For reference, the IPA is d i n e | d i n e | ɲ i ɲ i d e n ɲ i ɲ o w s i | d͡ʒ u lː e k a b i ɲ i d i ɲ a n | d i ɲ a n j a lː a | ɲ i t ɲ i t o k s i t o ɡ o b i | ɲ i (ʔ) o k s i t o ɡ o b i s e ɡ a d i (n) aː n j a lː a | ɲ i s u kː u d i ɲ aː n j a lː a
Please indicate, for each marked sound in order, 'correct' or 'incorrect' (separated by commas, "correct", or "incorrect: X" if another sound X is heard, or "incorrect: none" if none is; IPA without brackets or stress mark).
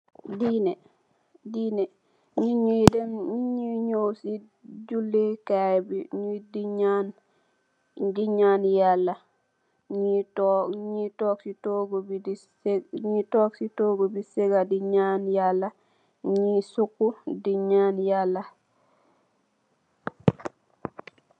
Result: incorrect: t, incorrect: ɲ